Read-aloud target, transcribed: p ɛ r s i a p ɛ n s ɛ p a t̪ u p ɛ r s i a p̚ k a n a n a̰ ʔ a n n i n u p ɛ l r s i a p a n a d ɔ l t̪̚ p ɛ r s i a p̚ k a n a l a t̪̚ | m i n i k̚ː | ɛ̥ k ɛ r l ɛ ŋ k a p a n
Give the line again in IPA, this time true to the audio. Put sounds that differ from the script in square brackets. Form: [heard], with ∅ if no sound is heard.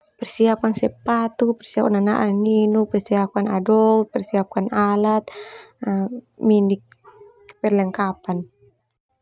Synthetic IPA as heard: p ɛ r s i a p [a] n s ɛ p a t̪ u p ɛ r s i a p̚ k a n a n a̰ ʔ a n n i n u p ɛ [∅] r s i a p a n a d ɔ l t̪̚ p ɛ r s i a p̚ k a n a l a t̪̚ | m i n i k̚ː | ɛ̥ [p] ɛ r l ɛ ŋ k a p a n